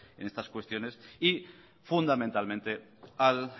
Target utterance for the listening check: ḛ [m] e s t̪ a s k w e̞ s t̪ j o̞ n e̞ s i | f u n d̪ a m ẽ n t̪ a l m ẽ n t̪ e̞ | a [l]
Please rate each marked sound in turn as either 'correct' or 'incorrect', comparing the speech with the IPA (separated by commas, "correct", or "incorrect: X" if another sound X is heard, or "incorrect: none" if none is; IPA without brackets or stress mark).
incorrect: n, correct